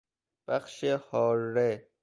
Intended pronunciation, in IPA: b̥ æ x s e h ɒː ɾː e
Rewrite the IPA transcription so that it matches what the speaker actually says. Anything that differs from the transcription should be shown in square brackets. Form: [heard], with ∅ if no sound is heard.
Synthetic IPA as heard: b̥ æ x [ʃ] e h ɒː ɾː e